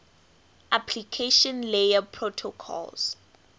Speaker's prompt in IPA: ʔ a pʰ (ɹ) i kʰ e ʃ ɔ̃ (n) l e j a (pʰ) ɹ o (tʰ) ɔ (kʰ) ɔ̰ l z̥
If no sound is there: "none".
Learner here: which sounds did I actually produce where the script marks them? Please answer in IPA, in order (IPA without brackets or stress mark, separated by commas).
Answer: l, n, pʰ, tʰ, kʰ